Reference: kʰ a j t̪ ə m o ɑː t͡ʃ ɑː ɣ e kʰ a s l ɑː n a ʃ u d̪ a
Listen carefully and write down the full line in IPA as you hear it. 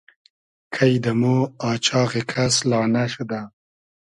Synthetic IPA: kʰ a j d̪ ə m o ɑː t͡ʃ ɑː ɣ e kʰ a s l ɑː n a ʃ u d̪ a